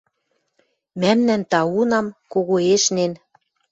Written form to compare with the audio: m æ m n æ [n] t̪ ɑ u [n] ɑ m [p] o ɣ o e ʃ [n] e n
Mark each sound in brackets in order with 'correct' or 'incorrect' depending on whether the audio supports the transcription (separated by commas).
correct, correct, incorrect, correct